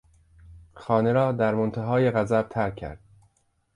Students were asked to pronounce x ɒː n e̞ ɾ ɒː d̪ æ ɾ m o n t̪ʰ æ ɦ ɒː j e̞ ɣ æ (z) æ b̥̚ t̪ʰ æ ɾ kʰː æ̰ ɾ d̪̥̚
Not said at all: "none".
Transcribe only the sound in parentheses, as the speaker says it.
z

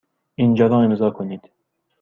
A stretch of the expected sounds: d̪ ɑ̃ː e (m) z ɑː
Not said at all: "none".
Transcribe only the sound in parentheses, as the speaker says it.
m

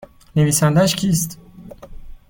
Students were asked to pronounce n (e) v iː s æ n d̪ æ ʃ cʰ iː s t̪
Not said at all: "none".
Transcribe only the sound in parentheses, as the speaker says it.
e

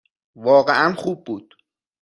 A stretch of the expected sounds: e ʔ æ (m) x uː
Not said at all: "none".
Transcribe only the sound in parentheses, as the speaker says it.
n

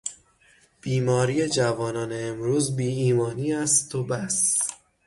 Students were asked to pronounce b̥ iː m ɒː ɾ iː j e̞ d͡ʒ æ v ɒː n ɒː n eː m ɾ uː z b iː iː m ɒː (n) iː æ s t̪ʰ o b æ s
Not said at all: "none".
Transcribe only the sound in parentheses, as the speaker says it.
n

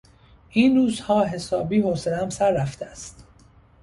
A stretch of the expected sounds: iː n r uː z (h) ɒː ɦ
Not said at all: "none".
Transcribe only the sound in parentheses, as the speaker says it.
h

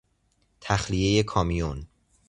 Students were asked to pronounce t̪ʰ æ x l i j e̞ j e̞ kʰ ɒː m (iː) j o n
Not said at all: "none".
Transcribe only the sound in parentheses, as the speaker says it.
i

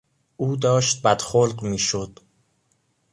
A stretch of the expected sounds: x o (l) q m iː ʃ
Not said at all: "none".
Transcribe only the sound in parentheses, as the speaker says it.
l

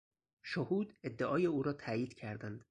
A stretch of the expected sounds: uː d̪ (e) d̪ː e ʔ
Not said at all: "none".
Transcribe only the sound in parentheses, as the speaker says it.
e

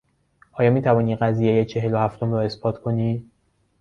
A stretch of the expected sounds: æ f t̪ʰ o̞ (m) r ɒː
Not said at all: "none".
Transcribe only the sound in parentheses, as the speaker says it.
m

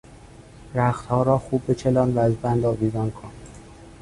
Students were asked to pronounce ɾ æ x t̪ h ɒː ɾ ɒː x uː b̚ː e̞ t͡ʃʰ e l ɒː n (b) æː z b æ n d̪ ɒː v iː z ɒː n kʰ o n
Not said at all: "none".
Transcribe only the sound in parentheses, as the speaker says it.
v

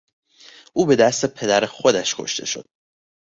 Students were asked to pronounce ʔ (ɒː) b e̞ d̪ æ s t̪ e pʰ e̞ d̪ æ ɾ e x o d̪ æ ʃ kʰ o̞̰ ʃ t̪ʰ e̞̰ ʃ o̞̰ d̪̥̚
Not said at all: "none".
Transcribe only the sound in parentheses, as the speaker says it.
uː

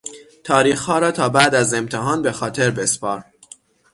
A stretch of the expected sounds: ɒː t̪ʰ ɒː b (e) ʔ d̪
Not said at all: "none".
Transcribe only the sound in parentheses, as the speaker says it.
æ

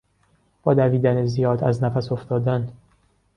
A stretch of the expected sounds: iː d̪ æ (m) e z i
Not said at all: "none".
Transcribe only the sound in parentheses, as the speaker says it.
n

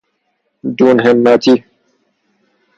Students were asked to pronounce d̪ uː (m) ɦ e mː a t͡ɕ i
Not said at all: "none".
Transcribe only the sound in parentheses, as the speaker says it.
n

